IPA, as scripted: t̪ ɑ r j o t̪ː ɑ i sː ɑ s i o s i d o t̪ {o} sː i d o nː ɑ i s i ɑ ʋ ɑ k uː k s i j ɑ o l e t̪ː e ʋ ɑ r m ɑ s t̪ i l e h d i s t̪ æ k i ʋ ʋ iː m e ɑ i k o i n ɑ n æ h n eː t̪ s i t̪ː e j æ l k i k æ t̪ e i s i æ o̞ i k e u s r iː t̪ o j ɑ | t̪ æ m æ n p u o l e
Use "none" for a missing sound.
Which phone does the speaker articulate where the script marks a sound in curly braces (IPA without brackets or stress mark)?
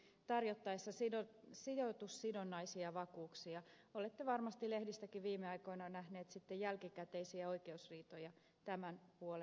u